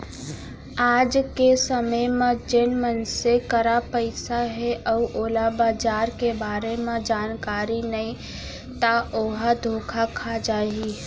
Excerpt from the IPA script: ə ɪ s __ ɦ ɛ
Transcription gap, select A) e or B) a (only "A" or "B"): B